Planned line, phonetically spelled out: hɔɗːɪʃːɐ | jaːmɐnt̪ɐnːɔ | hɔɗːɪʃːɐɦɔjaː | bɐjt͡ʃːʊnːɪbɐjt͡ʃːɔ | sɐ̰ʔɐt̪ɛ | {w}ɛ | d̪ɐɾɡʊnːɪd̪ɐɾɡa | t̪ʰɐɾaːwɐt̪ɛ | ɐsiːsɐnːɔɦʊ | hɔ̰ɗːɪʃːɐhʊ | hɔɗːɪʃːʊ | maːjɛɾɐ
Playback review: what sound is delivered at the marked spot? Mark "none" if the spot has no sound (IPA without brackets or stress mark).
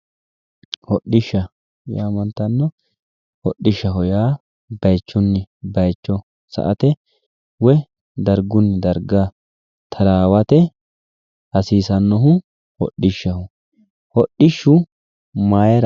w